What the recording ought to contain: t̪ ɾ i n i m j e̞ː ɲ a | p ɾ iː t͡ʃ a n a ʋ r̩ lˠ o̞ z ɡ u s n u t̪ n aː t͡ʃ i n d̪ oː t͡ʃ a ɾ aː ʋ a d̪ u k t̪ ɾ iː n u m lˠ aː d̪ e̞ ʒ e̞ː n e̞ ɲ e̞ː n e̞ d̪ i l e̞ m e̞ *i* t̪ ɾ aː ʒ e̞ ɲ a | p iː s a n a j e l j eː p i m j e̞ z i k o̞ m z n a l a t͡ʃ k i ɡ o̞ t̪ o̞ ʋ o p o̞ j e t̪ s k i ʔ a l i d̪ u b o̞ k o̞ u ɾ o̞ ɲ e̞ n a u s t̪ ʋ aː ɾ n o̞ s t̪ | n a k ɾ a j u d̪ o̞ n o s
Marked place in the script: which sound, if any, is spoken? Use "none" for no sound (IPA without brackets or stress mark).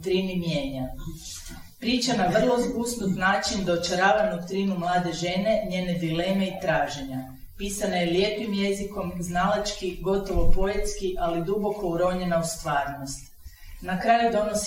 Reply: i